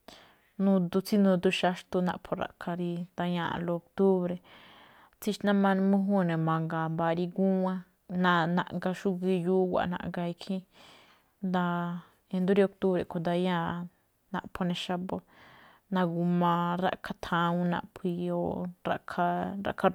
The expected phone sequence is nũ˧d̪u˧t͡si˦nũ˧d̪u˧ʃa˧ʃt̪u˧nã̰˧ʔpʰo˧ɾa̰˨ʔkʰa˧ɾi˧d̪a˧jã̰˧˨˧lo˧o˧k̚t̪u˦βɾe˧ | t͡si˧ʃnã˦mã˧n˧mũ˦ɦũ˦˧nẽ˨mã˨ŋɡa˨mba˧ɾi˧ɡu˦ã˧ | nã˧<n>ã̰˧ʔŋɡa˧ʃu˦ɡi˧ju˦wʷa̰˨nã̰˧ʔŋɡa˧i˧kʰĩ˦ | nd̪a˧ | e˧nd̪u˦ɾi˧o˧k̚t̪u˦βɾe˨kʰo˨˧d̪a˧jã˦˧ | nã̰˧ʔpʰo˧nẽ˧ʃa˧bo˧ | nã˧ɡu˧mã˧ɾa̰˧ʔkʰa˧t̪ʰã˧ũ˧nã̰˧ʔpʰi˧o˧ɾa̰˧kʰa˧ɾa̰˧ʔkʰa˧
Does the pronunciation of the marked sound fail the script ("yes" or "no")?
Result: no